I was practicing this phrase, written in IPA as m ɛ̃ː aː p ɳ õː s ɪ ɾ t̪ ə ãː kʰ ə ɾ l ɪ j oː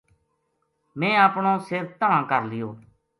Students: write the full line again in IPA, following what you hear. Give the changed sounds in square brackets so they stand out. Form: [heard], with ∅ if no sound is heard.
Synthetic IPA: m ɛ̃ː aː p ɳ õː s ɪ ɾ t̪ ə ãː [k] ə ɾ l ɪ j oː